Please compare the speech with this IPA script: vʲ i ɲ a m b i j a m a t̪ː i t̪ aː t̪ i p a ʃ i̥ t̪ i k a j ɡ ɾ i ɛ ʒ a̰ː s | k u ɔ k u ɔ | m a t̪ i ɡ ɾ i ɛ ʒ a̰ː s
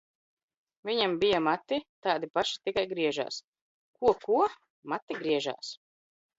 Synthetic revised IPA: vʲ i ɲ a m b i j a m a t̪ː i t̪ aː d̪ i p a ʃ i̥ t̪ i k a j ɡ ɾ i ɛ ʒ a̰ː s | k u ɔ k u ɔ | m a t̪ i ɡ ɾ i ɛ ʒ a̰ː s